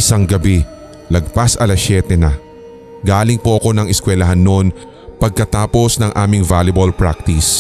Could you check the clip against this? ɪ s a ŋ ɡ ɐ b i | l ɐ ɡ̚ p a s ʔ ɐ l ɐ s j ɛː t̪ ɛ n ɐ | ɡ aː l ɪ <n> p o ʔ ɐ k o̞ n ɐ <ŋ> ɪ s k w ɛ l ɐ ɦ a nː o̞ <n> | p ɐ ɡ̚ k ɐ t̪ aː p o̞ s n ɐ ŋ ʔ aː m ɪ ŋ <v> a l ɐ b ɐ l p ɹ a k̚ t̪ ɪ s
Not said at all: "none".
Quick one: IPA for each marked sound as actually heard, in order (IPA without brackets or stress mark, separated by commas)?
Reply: ŋ, ŋ, n, v